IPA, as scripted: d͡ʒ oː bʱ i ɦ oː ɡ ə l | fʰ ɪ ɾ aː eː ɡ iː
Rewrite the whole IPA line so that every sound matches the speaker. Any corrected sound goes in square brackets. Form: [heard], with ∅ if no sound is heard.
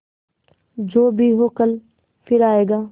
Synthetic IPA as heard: d͡ʒ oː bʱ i ɦ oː [k] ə l | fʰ ɪ ɾ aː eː ɡ [aː]